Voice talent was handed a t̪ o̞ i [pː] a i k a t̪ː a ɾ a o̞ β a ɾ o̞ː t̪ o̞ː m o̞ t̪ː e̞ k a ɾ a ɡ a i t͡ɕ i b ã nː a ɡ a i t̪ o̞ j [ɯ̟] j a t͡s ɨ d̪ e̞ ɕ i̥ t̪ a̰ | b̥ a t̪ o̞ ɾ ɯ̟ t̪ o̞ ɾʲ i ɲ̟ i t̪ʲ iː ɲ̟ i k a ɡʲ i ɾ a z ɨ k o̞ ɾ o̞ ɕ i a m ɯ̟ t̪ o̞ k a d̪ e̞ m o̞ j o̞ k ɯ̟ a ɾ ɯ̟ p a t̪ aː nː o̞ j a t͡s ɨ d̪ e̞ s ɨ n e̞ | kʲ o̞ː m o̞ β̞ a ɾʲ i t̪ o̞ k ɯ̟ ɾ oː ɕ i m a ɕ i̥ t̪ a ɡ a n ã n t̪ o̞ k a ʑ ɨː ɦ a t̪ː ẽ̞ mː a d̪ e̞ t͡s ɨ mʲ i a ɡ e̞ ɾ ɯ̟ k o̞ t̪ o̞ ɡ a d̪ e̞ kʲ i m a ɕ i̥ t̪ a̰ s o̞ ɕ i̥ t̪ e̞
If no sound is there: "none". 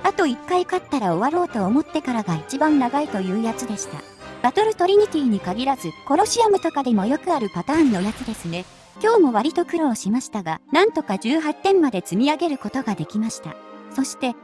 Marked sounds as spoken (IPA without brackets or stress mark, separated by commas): kː, ɯ̟ː